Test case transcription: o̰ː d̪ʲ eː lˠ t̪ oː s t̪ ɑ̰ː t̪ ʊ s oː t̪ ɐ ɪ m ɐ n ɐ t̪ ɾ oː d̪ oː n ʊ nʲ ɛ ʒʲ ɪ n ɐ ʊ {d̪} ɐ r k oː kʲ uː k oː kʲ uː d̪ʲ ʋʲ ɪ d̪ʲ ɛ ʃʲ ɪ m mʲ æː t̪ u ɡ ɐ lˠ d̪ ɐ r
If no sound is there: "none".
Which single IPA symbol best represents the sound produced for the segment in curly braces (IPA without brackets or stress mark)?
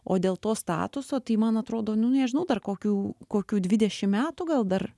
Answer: d̪